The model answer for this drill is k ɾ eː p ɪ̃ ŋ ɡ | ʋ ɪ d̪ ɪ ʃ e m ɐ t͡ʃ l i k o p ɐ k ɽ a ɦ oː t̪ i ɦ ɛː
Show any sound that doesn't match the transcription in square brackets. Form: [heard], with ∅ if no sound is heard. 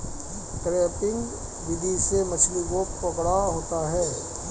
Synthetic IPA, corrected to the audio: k ɾ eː p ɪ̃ ŋ ɡ | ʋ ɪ d̪ [i] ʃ e m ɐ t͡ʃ l i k o p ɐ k ɽ a ɦ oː t̪ [a] ɦ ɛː